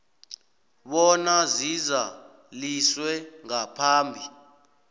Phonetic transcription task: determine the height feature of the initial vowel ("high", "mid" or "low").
mid